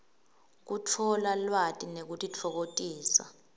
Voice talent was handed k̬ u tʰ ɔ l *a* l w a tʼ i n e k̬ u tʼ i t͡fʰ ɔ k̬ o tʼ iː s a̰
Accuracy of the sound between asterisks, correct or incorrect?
correct